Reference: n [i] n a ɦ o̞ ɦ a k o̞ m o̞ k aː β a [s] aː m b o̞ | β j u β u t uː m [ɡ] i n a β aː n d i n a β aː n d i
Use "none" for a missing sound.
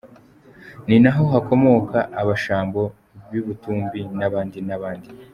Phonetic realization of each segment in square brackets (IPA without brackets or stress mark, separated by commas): i, ʃ, b